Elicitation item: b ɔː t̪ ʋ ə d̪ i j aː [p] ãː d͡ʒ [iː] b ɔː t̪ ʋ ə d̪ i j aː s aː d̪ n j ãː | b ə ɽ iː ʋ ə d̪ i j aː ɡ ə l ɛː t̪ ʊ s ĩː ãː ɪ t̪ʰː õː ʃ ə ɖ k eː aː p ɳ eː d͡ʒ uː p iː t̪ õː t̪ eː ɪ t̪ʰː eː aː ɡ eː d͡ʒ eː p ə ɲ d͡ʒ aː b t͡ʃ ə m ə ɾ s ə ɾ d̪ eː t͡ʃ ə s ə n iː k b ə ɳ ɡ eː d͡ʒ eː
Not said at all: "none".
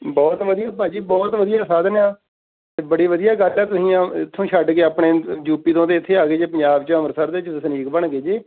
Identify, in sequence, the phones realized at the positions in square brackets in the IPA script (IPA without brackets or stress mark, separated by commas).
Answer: p, iː